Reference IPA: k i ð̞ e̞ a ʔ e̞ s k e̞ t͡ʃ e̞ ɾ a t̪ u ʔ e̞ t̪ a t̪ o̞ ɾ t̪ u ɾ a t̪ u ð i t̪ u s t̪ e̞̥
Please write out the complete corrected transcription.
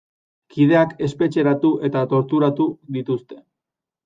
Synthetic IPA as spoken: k i ð̞ e̞ a k e̞ s p e̞ t͡ʃ e̞ ɾ a t̪ u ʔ e̞ t̪ a t̪ o̞ ɾ t̪ u ɾ a t̪ u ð i t̪ u s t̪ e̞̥

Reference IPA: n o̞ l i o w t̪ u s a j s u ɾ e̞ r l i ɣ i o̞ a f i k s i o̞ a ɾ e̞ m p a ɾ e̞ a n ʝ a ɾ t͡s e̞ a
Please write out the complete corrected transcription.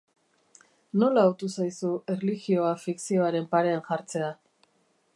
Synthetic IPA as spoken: n o̞ l a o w t̪ u s a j s u e̞ r l i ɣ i o̞ a f i k s i o̞ a ɾ e̞ m p a ɾ e̞ a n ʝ a ɾ t͡s e̞ a

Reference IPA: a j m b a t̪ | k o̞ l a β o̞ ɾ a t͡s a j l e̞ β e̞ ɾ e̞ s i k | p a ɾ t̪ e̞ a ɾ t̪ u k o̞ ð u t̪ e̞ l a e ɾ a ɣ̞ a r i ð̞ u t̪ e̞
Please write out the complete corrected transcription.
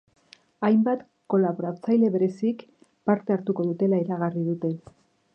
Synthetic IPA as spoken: a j m b a t̪ | k o̞ l a β o̞ ɾ a t͡s a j l e̞ β e̞ ɾ e̞ s i k | p a ɾ t̪ e̞ a ɾ t̪ u k o̞ ð u t̪ e̞ l a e ɾ a ɣ̞ a r i ð̞ u t̪ e̞

